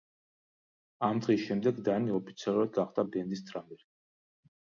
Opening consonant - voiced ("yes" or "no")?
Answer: yes